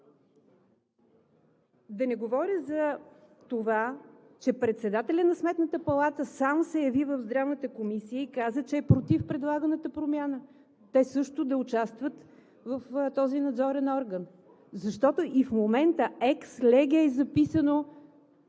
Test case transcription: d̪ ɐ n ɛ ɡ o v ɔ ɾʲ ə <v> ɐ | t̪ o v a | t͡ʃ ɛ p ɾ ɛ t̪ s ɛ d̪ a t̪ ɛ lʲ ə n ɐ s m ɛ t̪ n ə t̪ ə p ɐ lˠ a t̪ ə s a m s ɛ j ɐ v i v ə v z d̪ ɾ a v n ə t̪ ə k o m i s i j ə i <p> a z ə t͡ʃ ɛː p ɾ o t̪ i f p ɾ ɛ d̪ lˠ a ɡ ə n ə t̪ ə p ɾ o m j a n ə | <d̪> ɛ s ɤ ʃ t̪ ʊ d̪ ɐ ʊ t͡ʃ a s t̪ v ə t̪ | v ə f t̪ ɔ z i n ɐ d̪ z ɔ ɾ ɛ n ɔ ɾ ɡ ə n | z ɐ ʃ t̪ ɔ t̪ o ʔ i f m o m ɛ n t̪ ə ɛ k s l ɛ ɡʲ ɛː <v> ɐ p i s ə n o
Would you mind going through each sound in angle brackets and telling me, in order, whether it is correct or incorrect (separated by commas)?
incorrect, incorrect, incorrect, incorrect